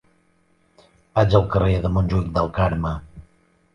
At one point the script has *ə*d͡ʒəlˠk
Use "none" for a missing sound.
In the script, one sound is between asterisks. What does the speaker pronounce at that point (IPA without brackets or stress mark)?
a